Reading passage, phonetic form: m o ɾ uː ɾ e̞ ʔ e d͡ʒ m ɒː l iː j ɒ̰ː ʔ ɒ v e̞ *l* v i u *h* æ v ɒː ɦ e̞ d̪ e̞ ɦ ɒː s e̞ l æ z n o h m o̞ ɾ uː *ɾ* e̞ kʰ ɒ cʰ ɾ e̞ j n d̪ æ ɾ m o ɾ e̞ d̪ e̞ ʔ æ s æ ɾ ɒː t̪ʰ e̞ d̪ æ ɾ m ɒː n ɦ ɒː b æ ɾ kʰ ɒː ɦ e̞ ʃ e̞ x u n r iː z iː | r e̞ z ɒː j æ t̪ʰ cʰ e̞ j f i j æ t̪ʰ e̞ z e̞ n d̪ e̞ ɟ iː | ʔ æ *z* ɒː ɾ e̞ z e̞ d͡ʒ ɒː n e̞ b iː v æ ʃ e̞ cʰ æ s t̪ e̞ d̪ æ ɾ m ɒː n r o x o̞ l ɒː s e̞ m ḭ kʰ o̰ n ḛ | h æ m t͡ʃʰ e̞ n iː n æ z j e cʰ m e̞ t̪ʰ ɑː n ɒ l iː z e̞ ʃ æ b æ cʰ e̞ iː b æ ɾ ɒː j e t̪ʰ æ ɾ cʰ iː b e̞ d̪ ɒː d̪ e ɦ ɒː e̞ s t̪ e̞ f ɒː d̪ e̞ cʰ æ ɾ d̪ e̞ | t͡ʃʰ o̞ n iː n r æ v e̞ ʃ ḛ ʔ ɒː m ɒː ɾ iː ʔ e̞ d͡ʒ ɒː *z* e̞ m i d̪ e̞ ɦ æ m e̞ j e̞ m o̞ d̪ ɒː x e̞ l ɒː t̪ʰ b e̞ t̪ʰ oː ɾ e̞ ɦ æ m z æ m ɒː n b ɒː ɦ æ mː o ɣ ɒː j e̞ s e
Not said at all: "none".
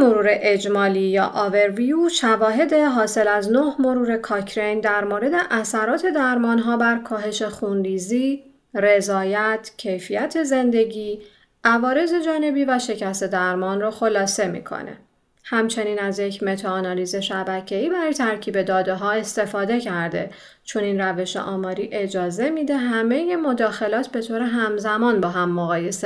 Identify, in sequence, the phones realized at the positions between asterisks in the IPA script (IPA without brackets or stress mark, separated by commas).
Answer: ɾ, ʃ, ɾ, v, z